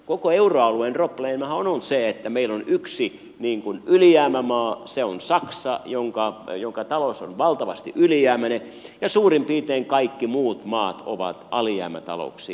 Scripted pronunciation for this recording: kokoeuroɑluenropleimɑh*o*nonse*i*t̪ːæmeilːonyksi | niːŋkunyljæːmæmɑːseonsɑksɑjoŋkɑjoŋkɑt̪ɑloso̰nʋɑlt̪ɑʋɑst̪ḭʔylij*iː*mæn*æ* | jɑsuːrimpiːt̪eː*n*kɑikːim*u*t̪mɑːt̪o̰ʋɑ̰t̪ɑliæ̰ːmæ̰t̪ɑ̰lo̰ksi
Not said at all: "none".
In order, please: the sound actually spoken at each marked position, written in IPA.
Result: o, e, æː, e, ŋ, uː

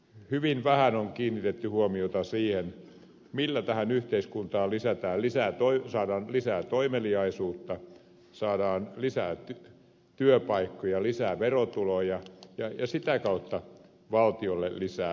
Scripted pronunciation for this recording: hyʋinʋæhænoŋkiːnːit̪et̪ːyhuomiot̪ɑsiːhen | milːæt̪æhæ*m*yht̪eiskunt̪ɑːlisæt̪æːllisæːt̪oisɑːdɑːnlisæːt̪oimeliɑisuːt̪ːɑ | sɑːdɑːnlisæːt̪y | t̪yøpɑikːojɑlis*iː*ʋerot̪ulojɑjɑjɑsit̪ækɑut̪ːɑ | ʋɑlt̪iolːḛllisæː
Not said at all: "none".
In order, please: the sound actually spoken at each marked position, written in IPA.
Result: n, æː

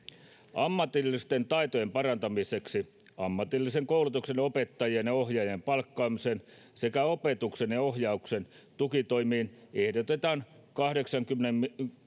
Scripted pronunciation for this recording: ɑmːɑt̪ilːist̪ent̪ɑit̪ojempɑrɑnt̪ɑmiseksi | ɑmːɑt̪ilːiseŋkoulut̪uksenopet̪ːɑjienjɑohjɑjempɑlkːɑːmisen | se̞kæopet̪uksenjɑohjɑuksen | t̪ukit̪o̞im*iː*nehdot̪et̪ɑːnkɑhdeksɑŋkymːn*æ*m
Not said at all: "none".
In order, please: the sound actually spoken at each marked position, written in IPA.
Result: iː, e

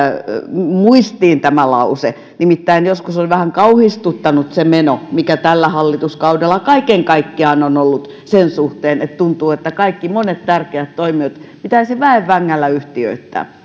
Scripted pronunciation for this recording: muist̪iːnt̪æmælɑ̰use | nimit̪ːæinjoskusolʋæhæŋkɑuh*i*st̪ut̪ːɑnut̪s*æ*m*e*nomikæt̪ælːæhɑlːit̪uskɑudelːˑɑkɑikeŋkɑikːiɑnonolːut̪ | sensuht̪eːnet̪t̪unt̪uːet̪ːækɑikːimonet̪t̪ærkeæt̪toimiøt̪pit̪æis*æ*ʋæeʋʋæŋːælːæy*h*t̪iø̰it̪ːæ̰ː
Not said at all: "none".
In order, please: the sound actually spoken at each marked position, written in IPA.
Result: i, e, e, i, h

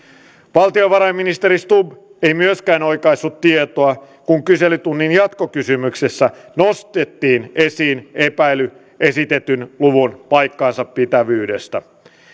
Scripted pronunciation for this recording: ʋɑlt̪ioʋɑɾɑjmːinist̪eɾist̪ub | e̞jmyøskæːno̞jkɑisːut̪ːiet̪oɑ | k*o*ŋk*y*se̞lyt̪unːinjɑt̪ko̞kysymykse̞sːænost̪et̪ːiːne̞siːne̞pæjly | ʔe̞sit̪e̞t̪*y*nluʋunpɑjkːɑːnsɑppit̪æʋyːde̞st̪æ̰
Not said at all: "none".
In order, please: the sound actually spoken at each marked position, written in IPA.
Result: u, y, y

